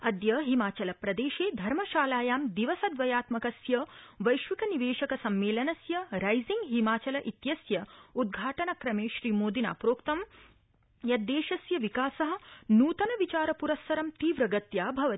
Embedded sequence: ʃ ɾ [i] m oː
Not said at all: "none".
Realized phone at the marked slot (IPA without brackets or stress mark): iː